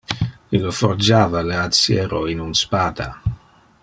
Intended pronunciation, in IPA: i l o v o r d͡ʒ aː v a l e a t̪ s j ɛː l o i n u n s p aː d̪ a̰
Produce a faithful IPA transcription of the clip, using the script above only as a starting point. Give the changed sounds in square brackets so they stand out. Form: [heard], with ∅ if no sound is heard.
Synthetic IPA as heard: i l o [f] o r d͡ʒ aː v a l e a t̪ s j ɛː [ɾ] o i n u n s p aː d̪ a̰

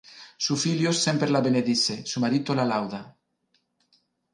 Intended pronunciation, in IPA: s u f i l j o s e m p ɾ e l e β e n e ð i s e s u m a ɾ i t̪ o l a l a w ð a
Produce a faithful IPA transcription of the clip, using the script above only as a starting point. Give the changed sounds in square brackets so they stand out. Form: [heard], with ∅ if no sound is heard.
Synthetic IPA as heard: s u f i l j o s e m p ɾ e l [a] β e n e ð i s e s u m a ɾ i t̪ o l a l a w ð a

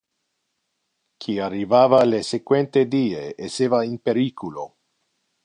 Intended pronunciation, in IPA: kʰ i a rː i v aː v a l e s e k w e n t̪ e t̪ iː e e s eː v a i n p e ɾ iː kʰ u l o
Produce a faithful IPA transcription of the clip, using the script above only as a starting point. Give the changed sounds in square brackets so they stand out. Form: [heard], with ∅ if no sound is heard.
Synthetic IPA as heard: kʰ i a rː i v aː v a l e s e k w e n t̪ e [d̪] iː e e s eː v a i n p e ɾ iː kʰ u l o

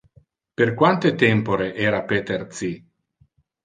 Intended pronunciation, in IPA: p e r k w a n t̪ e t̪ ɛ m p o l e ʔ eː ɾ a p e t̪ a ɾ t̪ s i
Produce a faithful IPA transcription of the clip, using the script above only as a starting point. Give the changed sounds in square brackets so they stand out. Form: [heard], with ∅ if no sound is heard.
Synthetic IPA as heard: p e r k w a n t̪ e t̪ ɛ m p o [ɾ] e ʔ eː ɾ a p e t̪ [e] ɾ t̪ s i

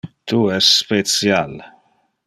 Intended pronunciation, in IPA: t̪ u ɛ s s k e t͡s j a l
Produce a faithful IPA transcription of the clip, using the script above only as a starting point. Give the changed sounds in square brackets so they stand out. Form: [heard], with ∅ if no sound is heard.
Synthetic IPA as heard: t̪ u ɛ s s [p] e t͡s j a l

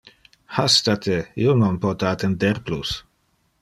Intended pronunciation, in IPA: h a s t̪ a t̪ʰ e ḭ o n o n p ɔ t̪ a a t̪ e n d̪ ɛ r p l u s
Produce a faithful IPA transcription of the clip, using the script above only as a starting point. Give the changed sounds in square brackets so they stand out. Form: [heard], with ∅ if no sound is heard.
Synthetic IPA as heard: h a s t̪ a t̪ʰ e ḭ o n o n p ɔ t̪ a a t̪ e n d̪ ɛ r p l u s

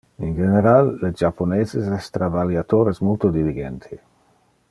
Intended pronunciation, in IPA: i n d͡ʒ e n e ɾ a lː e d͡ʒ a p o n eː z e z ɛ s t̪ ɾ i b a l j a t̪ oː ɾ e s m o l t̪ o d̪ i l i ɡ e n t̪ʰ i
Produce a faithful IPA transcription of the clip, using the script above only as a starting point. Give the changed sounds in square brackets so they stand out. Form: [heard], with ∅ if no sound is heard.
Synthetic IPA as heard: i n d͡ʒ e n e ɾ a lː e d͡ʒ a p o n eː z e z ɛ s t̪ ɾ [a] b a l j a t̪ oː ɾ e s m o l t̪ o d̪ i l i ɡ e n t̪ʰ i

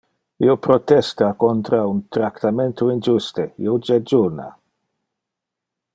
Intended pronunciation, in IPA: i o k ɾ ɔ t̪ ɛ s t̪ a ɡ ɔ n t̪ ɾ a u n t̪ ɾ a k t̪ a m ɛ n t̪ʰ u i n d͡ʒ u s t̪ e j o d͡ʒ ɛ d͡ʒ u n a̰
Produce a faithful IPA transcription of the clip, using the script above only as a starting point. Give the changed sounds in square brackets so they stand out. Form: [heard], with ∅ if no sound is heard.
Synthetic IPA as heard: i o [p] ɾ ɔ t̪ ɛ s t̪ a [k] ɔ n t̪ ɾ a u n t̪ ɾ a k t̪ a m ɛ n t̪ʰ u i n d͡ʒ u s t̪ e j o d͡ʒ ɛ d͡ʒ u n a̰

